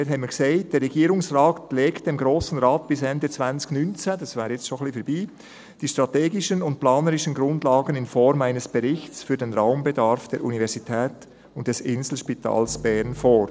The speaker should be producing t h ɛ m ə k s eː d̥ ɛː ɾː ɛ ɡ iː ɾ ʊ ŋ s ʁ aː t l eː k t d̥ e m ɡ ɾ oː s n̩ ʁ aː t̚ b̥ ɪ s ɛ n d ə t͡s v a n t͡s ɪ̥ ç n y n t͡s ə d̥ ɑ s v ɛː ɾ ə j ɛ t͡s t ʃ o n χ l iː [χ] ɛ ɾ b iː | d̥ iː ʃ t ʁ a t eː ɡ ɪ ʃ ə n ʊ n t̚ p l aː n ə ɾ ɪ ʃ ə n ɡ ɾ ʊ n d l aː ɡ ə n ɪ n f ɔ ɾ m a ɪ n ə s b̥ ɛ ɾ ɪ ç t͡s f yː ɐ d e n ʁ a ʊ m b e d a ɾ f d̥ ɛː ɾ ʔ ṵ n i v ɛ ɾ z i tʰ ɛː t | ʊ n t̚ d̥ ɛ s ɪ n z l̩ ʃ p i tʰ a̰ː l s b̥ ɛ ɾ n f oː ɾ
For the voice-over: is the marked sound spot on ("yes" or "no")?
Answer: no